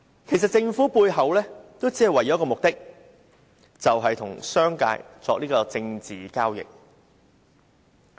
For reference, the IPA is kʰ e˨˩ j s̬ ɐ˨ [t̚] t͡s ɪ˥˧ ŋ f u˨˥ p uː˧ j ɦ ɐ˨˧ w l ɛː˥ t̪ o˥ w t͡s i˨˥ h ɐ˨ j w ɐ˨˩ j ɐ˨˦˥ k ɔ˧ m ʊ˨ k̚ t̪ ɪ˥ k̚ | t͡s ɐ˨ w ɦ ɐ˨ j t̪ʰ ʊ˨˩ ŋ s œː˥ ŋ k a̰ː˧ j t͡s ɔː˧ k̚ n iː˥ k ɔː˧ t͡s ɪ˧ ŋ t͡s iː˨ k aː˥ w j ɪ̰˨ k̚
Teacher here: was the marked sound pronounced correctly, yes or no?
yes